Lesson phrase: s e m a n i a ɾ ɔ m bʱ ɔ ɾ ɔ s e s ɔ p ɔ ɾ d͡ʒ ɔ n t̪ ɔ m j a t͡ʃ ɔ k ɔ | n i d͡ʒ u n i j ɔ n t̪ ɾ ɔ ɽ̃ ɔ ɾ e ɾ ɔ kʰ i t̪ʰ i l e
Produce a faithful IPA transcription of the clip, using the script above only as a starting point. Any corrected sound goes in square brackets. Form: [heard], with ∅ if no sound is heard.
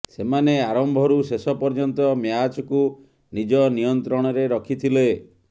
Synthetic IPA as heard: s e m a n [e] a ɾ ɔ m bʱ ɔ ɾ [u] s e s ɔ p ɔ ɾ d͡ʒ ɔ n t̪ ɔ m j a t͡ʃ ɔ k [u] | n i d͡ʒ [ɔ] n i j ɔ n t̪ ɾ ɔ ɽ̃ ɔ ɾ e ɾ ɔ kʰ i t̪ʰ i l e